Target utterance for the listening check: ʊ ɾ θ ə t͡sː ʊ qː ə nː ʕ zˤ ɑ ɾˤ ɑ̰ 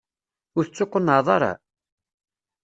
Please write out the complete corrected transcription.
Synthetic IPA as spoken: ʊ ɾ θ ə t͡sː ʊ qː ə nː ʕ ðˤ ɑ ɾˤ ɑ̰